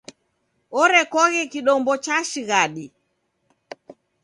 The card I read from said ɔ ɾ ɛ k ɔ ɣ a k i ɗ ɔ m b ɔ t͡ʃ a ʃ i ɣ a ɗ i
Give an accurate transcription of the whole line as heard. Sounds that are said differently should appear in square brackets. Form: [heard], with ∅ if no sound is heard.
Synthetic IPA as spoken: ɔ ɾ ɛ k ɔ ɣ [ɛ] k i ɗ ɔ m b ɔ t͡ʃ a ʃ i ɣ a ɗ i